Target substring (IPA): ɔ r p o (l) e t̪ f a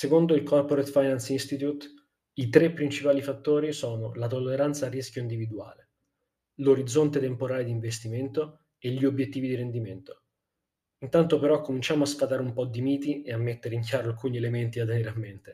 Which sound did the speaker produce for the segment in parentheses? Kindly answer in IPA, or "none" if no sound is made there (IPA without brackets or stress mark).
ɾ